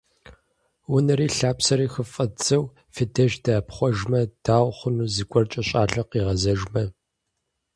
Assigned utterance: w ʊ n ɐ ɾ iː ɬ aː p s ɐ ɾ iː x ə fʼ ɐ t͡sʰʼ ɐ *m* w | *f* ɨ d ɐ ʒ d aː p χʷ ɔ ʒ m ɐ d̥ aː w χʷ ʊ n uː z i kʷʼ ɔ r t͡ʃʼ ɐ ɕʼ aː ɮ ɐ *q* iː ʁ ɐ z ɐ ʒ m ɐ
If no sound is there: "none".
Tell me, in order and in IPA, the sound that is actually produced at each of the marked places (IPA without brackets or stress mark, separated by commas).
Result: none, f, q